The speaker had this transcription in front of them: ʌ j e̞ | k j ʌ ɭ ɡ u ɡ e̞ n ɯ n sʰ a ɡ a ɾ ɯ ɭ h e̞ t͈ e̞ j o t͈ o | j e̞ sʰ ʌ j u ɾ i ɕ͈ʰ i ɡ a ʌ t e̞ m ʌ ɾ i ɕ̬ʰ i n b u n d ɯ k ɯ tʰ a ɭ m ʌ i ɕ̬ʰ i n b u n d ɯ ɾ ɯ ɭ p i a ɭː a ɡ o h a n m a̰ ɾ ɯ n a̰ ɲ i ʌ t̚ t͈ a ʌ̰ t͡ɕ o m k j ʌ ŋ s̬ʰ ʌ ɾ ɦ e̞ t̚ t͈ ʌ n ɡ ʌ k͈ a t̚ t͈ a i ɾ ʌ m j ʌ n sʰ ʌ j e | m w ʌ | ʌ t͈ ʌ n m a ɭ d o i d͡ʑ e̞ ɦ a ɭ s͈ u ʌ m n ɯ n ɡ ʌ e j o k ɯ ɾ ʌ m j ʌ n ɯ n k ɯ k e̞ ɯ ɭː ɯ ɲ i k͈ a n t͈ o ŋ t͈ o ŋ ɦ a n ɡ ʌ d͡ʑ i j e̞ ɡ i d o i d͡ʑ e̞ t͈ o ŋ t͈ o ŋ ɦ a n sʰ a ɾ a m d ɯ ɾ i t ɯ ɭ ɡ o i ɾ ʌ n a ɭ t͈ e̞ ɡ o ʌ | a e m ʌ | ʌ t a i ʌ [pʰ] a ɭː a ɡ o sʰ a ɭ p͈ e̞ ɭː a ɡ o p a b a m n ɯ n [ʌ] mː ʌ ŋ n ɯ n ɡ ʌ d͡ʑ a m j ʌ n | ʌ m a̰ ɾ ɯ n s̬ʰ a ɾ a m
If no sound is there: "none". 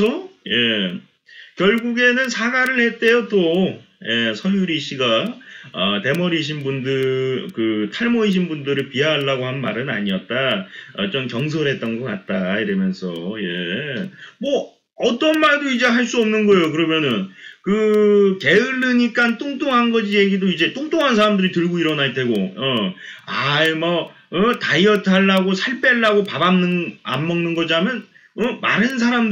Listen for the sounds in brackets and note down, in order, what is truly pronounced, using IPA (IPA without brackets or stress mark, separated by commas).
tʰ, a